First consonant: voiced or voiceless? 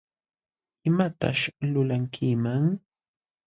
voiced